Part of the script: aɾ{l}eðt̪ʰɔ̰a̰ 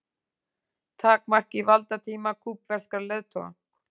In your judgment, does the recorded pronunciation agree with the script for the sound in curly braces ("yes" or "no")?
yes